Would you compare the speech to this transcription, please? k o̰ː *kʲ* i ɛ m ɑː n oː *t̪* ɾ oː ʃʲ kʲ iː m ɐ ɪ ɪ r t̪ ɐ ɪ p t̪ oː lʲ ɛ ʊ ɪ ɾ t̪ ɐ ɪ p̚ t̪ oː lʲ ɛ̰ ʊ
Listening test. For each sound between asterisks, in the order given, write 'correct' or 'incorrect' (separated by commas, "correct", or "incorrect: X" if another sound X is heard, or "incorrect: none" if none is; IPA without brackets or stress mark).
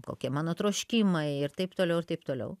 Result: correct, correct